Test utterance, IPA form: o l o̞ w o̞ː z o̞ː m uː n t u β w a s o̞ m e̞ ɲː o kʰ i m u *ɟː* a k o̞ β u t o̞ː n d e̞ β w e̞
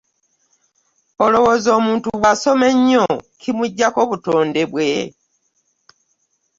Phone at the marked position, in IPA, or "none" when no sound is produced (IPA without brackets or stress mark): ɟː